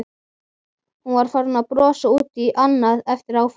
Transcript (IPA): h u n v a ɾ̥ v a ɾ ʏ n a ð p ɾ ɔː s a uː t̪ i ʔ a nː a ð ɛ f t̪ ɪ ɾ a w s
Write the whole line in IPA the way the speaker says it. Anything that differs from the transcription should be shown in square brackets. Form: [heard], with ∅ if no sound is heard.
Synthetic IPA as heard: h u n v a ɾ̥ [f] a ɾ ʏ n a ð p ɾ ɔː s a uː t̪ i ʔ a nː a ð ɛ f t̪ ɪ ɾ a w [f]